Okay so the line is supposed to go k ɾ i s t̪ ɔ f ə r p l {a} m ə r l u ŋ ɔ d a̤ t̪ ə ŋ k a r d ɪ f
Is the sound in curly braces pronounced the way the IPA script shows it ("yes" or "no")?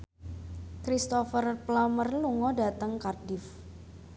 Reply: yes